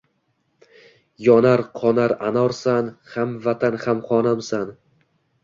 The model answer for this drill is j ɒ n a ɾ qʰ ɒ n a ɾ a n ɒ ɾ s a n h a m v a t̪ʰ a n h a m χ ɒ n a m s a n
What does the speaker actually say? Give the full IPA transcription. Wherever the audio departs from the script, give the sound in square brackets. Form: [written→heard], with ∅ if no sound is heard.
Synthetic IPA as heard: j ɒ n a ɾ qʰ ɒ n a ɾ a n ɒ ɾ s a n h a m v a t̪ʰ a n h a m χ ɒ n a m s a n